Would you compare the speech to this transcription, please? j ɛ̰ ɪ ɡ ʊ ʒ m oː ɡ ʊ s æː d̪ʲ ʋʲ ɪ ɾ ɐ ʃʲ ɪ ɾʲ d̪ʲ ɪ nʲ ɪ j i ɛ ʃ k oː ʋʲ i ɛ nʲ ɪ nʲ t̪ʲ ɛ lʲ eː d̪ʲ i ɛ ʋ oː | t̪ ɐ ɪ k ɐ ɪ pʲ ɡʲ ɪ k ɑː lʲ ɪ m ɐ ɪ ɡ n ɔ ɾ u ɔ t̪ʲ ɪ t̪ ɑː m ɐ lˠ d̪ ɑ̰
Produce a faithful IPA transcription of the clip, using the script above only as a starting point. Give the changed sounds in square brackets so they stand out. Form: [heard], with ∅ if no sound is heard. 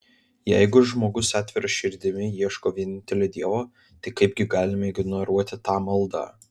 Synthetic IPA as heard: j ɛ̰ ɪ ɡ ʊ ʒ m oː ɡ ʊ s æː [t̪ʲ] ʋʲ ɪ ɾ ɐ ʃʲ ɪ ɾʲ d̪ʲ ɪ [mʲ] ɪ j i ɛ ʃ k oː ʋʲ i ɛ nʲ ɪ nʲ t̪ʲ ɛ lʲ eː d̪ʲ i ɛ ʋ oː | t̪ ɐ ɪ k ɐ ɪ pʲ ɡʲ ɪ [ɡ] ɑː lʲ ɪ m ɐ ɪ ɡ n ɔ ɾ u ɔ t̪ʲ ɪ t̪ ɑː m ɐ lˠ d̪ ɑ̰